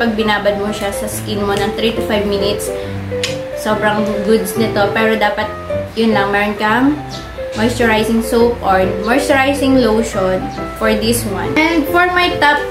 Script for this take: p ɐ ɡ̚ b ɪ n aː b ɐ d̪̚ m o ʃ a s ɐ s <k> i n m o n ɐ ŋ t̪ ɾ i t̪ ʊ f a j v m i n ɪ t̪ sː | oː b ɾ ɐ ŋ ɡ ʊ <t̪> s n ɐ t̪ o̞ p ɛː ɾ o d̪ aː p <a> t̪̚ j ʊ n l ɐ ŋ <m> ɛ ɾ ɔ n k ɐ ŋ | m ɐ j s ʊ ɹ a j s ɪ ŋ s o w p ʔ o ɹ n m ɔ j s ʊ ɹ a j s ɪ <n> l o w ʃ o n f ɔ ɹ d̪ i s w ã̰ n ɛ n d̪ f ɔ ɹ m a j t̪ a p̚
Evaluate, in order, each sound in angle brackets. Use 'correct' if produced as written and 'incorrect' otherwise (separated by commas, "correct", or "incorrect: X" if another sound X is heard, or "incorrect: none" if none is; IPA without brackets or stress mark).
correct, incorrect: d̪, incorrect: ɐ, correct, incorrect: ŋ